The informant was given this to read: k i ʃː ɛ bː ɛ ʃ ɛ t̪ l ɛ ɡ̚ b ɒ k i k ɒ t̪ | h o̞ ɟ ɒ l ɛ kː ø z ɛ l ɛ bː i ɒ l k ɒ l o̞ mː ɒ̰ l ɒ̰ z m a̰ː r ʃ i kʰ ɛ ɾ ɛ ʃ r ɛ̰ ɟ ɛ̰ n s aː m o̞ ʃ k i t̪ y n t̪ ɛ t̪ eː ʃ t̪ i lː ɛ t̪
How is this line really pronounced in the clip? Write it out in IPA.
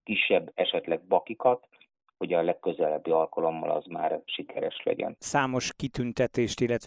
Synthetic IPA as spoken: k i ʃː ɛ bː ɛ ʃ ɛ t̪ l ɛ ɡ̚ b ɒ k i k ɒ t̪ | h o̞ ɟ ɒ l ɛ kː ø z ɛ l ɛ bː i ɒ l k ɒ l o̞ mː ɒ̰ l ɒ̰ z m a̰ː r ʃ i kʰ ɛ ɾ ɛ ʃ l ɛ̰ ɟ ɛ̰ n s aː m o̞ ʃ k i t̪ y n t̪ ɛ t̪ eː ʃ t̪ i lː ɛ t̪